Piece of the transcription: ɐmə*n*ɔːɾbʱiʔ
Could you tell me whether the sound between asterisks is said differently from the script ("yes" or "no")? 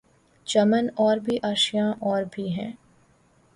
no